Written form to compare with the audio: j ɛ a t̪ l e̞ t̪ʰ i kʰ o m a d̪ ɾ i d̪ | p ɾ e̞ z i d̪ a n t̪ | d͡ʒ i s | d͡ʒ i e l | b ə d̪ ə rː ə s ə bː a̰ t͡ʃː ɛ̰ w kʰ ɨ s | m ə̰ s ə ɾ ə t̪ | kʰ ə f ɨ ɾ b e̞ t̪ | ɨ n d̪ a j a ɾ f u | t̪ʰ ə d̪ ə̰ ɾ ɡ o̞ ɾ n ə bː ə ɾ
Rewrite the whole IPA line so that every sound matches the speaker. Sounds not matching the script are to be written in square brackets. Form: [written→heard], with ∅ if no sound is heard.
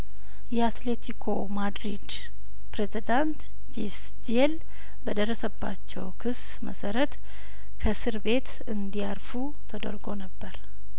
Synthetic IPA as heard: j ɛ a t̪ l e̞ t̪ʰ i kʰ o m a d̪ ɾ i d̪ | p ɾ e̞ z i d̪ a n t̪ | d͡ʒ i s | d͡ʒ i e l | b ə d̪ ə rː ə s ə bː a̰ t͡ʃː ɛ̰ w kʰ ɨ s | m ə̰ s ə ɾ ə t̪ | kʰ ə [f→s] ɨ ɾ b e̞ t̪ | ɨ n d̪ [a→i] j a ɾ f u | t̪ʰ ə d̪ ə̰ ɾ ɡ o̞ [ɾ→∅] n ə bː ə ɾ